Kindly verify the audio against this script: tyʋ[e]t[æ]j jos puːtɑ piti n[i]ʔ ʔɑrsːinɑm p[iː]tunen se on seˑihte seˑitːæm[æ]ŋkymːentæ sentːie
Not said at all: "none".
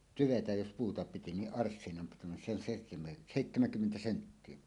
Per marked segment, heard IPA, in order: e, æ, i, i, æ

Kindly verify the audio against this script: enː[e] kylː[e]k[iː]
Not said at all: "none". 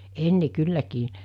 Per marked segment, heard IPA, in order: e, æ, iː

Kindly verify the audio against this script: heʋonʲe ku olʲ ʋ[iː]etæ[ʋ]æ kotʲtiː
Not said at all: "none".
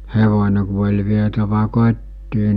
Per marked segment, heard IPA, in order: i, ʋ

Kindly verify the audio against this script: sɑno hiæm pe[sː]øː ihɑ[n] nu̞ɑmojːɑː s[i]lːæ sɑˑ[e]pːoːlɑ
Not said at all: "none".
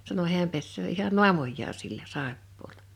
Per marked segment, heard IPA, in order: sː, n, i, e

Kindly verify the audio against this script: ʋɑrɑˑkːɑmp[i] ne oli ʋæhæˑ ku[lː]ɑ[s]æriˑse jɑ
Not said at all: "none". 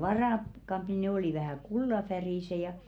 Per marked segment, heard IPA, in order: i, lː, f

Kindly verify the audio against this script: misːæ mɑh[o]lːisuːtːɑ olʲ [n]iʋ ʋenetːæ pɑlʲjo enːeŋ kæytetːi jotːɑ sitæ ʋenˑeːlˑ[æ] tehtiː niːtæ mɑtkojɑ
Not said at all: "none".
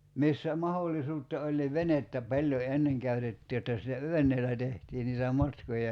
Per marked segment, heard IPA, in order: o, n, æ

